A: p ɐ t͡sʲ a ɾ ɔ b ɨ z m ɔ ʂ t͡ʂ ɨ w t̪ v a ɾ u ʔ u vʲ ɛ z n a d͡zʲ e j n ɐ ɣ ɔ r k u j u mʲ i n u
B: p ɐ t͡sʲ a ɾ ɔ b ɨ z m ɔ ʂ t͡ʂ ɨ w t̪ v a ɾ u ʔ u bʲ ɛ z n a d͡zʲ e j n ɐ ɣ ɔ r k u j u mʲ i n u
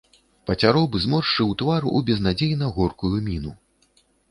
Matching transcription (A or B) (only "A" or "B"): B